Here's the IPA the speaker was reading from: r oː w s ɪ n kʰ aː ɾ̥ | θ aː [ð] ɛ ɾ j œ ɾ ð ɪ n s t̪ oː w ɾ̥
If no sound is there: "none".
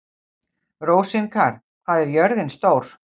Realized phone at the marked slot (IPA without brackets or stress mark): ð